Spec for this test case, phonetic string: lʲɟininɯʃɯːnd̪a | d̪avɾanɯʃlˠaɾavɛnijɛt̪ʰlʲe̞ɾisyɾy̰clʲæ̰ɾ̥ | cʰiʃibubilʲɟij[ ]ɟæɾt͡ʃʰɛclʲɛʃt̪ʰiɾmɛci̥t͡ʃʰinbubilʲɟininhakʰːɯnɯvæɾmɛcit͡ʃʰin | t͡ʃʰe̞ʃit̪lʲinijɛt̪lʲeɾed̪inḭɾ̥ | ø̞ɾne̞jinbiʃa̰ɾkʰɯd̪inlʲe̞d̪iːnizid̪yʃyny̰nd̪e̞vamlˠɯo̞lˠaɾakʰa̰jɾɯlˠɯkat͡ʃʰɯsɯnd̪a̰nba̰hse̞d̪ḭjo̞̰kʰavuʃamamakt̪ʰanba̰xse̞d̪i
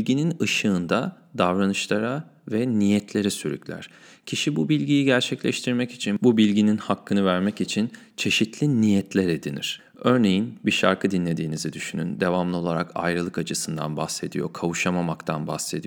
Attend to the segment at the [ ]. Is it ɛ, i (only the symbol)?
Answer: i